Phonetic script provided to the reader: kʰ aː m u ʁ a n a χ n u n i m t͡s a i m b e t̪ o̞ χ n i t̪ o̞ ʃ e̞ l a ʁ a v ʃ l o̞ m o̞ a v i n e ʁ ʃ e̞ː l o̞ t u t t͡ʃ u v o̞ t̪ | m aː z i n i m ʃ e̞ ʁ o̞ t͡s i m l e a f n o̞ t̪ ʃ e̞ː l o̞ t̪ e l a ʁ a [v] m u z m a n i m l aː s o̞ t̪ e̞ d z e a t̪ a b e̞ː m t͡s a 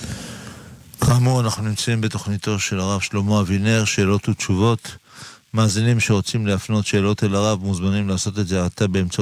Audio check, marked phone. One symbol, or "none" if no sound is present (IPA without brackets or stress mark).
v